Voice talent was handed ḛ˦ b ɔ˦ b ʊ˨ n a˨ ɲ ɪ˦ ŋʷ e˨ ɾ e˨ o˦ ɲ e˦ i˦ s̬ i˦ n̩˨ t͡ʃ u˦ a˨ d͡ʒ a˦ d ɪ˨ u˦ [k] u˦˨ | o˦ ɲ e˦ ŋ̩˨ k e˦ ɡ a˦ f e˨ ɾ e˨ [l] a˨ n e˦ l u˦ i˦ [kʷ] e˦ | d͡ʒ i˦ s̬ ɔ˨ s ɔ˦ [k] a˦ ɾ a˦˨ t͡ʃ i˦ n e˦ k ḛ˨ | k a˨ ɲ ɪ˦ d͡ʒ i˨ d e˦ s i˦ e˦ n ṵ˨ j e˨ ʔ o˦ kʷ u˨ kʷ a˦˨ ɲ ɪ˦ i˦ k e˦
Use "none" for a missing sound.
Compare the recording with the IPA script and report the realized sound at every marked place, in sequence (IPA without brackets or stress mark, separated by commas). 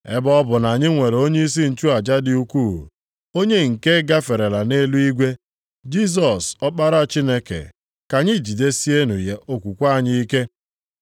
k, l, ɡʷ, k͡p